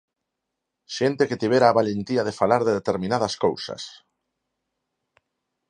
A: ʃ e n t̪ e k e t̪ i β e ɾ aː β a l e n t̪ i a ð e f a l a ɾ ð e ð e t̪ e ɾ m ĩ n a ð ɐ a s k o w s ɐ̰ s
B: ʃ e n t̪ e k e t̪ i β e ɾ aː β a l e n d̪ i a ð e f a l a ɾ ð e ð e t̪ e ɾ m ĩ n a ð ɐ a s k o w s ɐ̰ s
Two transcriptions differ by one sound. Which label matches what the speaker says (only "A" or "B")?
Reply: A